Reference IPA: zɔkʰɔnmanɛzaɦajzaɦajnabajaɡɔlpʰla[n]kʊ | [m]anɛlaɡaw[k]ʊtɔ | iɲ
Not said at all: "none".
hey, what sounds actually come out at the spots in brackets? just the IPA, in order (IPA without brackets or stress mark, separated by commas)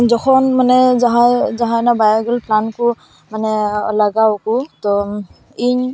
n, m, k